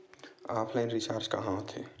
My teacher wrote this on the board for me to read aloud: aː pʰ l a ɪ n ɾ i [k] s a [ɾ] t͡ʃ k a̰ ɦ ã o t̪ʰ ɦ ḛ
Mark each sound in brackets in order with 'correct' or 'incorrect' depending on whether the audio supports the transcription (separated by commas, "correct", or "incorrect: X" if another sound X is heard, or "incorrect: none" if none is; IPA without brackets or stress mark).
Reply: incorrect: none, correct